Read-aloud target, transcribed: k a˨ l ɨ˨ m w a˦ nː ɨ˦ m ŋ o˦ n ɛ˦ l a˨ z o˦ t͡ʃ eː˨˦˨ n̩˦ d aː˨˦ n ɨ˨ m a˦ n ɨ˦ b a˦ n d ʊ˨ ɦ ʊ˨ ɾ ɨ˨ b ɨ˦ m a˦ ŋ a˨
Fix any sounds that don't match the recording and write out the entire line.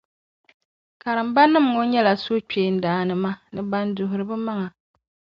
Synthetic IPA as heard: k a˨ ɾ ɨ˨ m b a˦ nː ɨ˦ m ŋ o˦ ɲ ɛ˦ l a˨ s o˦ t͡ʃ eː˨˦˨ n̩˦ d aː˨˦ n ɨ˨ m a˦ n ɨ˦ b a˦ n d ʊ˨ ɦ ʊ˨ ɾ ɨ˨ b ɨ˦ m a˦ ŋ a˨